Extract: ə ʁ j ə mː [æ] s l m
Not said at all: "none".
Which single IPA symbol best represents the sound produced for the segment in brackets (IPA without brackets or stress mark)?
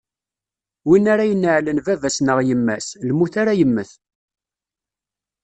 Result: æ